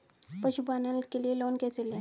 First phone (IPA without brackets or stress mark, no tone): p